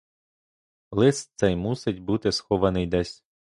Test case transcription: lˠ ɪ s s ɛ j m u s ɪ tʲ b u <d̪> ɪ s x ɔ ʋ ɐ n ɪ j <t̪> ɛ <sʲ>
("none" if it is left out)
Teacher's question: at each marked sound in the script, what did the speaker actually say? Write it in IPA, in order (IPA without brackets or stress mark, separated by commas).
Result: t̪, d̪, sʲ